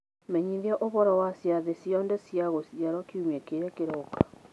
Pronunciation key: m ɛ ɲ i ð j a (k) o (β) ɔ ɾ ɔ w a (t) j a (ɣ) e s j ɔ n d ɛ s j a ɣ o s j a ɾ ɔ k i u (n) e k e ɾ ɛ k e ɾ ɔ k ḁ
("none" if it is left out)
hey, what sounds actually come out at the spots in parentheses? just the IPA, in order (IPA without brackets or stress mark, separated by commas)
ʔ, β, s, ð, m